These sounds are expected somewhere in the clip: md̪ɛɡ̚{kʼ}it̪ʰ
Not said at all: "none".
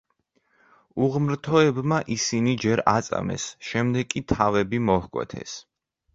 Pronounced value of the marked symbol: kʼ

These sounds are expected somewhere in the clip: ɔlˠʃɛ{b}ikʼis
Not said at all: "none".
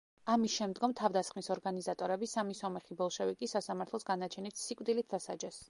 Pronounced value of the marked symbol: v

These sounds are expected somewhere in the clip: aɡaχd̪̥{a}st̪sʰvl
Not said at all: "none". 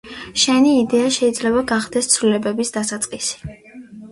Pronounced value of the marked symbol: ɛ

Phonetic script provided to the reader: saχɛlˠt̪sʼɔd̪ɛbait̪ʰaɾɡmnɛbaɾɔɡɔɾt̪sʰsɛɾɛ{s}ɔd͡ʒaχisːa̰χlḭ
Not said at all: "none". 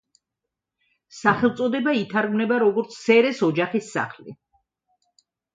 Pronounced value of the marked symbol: s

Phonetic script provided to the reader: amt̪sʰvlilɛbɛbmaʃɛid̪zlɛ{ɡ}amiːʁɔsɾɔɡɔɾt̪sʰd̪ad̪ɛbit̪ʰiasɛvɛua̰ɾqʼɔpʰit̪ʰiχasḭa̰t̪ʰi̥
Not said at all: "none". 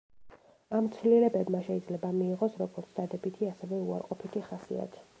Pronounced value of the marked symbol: b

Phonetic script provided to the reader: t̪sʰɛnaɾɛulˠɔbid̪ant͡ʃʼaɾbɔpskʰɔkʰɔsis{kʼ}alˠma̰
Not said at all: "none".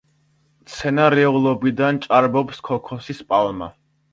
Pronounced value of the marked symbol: pʼ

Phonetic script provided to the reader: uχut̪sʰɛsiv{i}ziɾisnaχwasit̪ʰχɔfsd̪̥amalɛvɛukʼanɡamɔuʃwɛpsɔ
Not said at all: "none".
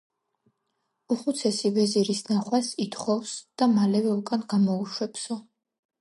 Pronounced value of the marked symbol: ɛ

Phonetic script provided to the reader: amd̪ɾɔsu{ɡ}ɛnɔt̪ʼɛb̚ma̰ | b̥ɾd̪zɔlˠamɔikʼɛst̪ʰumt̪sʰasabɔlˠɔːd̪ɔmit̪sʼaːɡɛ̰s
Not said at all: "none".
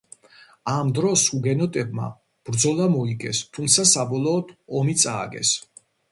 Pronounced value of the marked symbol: ɡ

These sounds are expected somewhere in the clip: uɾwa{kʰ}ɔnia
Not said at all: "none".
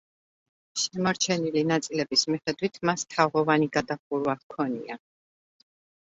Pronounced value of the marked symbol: kʰ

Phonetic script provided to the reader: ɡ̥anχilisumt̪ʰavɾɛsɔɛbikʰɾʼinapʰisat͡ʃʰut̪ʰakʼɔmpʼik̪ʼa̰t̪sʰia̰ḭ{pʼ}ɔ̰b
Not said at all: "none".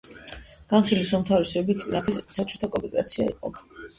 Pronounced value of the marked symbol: qʼ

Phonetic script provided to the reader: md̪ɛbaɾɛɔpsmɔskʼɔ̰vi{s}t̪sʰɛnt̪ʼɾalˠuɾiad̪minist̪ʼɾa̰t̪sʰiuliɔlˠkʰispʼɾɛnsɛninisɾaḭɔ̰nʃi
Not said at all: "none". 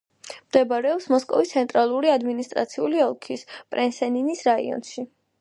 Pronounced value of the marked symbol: s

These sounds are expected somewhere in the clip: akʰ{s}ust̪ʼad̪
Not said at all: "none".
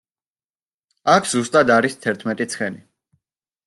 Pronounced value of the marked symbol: z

